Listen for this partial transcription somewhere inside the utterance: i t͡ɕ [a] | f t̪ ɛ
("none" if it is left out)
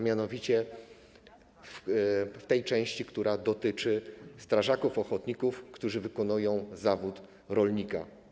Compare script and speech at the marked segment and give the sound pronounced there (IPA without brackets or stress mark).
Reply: ɛ